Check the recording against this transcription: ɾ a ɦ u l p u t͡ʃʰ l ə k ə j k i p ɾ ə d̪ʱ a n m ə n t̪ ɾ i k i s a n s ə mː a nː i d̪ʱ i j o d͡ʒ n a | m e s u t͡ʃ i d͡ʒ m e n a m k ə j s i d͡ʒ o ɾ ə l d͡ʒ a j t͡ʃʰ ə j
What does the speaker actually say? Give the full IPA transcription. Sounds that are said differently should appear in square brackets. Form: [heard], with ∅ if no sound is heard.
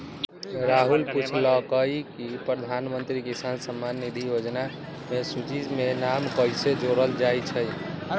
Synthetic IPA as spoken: ɾ a ɦ u l p u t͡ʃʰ l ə k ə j k i p ɾ ə d̪ʱ a n m ə n t̪ ɾ i k i s a n s ə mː a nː i d̪ʱ i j o d͡ʒ n a | m e s u t͡ʃ i d͡ʒ m e n a m k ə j s [e] d͡ʒ o ɾ ə l d͡ʒ a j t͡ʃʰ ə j